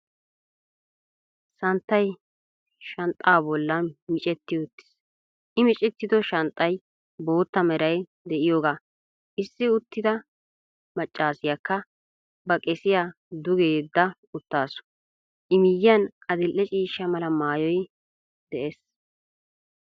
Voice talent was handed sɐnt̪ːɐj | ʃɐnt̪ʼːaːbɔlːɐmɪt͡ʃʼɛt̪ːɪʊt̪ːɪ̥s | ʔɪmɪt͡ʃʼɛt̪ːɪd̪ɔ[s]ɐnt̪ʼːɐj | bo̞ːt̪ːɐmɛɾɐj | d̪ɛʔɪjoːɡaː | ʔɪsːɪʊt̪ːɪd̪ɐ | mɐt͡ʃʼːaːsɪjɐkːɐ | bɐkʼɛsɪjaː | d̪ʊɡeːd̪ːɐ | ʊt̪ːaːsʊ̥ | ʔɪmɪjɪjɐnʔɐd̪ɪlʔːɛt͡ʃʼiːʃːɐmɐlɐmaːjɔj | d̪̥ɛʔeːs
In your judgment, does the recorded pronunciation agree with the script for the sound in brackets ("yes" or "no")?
no